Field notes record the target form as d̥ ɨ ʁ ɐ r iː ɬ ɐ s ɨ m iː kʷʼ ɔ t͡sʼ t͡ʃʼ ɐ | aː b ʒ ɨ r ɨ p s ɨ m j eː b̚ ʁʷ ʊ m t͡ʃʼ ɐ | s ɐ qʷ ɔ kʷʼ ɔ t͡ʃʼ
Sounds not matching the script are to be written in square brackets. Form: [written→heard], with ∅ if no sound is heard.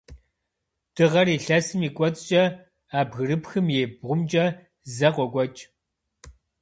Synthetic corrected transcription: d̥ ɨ ʁ ɐ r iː ɬ ɐ s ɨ m iː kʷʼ ɔ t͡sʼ t͡ʃʼ ɐ | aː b [ʒ→ɣ] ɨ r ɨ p [s→x] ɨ m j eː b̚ ʁʷ ʊ m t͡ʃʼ ɐ | [s→z] ɐ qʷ ɔ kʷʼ ɔ t͡ʃʼ